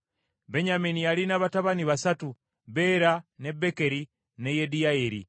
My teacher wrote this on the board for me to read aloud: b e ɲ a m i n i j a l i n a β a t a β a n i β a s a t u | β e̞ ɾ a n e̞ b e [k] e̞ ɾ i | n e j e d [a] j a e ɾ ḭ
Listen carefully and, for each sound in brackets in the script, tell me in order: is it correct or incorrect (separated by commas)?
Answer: correct, incorrect